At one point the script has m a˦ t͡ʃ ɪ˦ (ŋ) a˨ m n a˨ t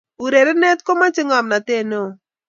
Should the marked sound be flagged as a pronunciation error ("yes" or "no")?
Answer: no